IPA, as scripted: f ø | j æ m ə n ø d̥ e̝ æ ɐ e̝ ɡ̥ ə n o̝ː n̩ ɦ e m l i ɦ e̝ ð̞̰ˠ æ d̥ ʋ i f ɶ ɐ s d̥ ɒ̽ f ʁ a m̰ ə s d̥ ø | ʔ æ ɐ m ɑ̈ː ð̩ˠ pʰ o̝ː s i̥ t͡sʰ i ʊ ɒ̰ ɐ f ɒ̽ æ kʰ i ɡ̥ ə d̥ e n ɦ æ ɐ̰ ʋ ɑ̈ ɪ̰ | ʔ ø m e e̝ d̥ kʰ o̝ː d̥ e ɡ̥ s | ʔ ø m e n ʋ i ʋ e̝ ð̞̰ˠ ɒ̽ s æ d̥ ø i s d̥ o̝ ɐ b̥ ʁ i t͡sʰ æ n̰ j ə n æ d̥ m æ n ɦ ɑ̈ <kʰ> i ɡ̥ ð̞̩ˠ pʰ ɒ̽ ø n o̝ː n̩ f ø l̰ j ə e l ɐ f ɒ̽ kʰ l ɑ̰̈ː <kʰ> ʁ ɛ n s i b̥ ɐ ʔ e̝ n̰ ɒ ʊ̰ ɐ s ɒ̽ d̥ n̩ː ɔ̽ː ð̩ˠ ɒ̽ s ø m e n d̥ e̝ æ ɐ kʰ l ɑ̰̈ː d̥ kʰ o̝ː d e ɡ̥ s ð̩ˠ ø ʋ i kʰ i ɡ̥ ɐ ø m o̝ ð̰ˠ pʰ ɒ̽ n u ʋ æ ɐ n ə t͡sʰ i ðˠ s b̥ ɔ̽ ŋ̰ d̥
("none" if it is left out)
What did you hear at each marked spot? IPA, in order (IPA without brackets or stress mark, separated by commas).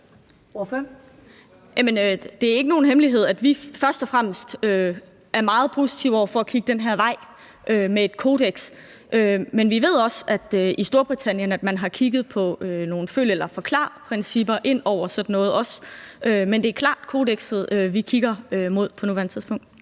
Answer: kʰ, pʰ